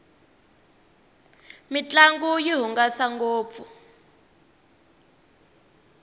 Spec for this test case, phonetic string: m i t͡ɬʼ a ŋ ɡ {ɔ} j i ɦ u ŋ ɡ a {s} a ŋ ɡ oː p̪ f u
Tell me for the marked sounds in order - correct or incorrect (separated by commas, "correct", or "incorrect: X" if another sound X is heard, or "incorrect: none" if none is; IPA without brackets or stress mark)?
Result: incorrect: u, correct